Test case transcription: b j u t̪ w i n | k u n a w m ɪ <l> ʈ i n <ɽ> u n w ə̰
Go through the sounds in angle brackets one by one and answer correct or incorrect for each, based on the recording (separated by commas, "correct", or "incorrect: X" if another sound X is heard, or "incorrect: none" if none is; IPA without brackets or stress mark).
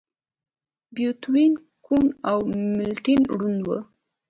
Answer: correct, correct